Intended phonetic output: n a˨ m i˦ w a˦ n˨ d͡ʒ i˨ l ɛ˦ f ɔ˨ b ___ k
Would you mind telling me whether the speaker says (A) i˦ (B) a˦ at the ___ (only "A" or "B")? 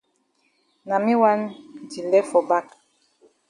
B